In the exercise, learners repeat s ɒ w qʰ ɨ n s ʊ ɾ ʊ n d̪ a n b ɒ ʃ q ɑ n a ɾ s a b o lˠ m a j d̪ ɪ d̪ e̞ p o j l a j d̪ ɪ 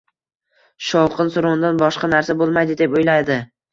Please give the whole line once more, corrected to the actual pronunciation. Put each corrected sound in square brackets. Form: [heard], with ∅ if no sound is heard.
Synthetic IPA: [ʃ] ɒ w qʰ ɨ n s ʊ ɾ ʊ n d̪ a n b ɒ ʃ q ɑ n a ɾ s a b o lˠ m a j d̪ ɪ d̪ e̞ p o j l a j d̪ ɪ

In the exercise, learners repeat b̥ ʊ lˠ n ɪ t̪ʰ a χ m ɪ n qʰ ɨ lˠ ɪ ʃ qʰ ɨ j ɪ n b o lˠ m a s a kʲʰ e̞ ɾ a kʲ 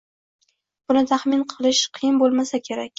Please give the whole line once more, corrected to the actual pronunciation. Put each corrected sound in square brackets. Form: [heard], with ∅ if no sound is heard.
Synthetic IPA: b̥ ʊ [∅] n ɪ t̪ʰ a χ m ɪ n qʰ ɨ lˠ ɪ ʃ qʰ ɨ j ɪ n b o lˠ m a s a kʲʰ e̞ ɾ a kʲ

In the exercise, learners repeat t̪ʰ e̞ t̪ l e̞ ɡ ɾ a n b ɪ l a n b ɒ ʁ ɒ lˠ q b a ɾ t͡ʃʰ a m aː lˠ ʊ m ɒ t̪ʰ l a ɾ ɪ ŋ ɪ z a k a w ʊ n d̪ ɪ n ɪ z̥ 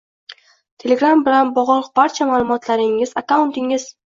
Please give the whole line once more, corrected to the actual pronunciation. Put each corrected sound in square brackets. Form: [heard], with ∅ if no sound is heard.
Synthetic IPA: t̪ʰ e̞ [∅] l e̞ ɡ ɾ a [m] b ɪ l a n b ɒ ʁ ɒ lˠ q b a ɾ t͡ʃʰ a m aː lˠ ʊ m ɒ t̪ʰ l a ɾ ɪ ŋ ɪ z a k a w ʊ n [t̪] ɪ [ŋ] ɪ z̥

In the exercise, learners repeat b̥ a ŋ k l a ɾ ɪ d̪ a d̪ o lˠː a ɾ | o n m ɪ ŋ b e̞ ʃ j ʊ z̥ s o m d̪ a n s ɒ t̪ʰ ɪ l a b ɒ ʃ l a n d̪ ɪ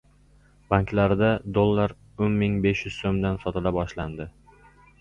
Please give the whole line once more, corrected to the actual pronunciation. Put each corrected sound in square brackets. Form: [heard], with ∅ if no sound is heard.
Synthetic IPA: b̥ a ŋ k l a ɾ ɪ d̪ a d̪ o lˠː a ɾ | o n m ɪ ŋ b e̞ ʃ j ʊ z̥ s o m d̪ a n s ɒ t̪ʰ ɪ l a b ɒ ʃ l a n d̪ ɪ

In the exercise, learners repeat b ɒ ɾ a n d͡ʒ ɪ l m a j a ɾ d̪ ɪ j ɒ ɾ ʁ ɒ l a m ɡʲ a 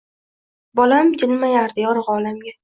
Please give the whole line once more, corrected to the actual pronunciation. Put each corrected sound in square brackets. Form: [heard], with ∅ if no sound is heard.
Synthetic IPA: b ɒ [l] a [m] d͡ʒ ɪ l m a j a ɾ d̪ ɪ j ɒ ɾ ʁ ɒ l a m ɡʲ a

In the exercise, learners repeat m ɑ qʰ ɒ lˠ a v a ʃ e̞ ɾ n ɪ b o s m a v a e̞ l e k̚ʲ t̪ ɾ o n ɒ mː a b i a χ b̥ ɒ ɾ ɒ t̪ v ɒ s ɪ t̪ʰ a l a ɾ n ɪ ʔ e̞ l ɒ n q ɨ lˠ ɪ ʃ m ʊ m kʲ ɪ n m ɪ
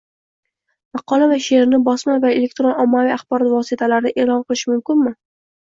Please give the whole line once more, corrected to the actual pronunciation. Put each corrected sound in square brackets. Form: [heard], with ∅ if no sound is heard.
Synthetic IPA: m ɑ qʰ ɒ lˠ a v a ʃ e̞ ɾ n ɪ b [ɒ] s m a v a e̞ l e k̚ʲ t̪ ɾ o n ɒ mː a [v] i a χ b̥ ɒ ɾ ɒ t̪ v ɒ s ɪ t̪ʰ a l a ɾ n ɪ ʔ e̞ l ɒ n q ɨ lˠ ɪ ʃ m ʊ m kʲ ɪ n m ɪ

